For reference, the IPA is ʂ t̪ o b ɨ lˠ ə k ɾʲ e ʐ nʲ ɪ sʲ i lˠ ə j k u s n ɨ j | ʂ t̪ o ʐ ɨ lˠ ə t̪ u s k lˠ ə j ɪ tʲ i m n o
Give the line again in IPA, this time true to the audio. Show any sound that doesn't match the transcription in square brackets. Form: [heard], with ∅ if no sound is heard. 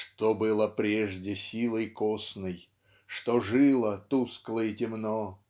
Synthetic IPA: ʂ t̪ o b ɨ lˠ ə [p] ɾʲ e ʐ [dʲ] ɪ sʲ i lˠ ə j k [o] s n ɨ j | ʂ t̪ o ʐ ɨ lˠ ə t̪ u s k lˠ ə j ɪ tʲ [ɪ] m n o